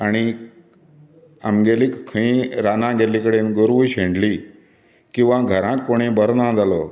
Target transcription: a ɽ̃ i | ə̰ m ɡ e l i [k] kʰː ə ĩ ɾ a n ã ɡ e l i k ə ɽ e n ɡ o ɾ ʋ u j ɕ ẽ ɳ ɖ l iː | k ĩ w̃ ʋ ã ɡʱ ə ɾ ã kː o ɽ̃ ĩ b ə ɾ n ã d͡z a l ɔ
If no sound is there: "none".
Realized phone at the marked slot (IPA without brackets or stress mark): k